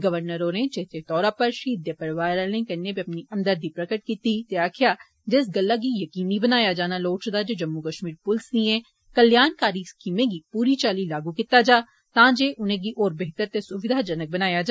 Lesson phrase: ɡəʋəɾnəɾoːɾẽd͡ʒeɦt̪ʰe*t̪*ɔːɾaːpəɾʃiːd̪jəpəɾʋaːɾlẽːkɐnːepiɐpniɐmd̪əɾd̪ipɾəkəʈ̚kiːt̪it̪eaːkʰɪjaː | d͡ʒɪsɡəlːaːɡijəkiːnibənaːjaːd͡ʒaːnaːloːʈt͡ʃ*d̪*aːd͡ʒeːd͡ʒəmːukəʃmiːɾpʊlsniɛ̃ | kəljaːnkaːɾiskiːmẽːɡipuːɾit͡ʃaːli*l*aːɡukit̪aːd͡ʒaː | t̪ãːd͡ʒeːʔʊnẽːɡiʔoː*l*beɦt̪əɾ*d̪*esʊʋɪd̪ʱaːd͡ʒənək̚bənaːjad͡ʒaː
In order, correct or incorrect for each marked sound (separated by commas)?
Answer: correct, correct, correct, incorrect, incorrect